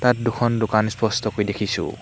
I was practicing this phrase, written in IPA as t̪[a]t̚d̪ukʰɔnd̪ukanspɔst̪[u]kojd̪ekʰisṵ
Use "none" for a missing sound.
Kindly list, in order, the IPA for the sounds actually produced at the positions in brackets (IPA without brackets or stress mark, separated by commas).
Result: a, ɔ